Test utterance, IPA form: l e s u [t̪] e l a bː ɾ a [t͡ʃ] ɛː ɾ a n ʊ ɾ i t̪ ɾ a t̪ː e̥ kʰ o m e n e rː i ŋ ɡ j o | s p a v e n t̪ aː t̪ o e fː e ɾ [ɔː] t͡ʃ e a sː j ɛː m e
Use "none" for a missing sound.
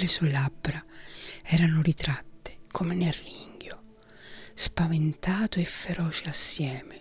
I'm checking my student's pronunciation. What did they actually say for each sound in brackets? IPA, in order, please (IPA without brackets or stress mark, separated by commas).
none, none, ɔː